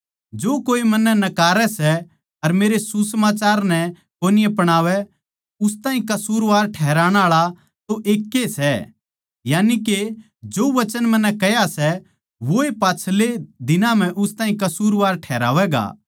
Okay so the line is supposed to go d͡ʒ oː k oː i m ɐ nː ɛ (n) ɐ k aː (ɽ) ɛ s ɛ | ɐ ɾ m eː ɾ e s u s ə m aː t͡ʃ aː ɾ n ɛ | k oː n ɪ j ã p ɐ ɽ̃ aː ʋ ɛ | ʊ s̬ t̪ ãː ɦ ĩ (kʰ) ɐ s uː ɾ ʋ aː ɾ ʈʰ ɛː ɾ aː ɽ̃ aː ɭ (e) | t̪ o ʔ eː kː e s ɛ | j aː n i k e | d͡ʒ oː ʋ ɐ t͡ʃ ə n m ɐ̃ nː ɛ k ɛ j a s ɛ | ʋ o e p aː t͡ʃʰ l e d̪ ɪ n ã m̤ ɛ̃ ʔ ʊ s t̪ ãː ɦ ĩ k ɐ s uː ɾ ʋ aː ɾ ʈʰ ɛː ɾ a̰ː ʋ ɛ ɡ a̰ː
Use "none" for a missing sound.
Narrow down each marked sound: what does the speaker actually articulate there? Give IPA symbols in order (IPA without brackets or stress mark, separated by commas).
n, ɾ, k, a